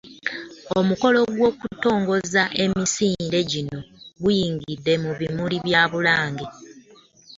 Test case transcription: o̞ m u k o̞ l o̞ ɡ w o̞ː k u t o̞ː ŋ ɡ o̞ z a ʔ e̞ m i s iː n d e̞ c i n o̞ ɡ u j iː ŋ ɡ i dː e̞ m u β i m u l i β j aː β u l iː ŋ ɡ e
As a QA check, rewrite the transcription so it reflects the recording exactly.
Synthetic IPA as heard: o̞ m u k o̞ l o̞ ɡ w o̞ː k u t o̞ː ŋ ɡ o̞ z a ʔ e̞ m i s iː n d e̞ ɟ i n o̞ ɡ u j iː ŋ ɡ i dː e̞ m u β i m u l i β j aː β u l aː ŋ ɡ e